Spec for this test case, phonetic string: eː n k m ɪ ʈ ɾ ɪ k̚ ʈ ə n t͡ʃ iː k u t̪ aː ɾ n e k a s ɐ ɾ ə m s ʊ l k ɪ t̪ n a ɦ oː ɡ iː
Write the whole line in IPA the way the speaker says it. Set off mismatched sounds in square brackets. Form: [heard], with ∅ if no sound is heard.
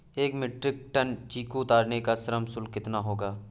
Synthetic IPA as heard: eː [∅] k m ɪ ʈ ɾ ɪ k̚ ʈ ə n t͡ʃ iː k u t̪ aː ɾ n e k a s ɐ ɾ ə m s ʊ l k ɪ t̪ n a ɦ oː ɡ [aː]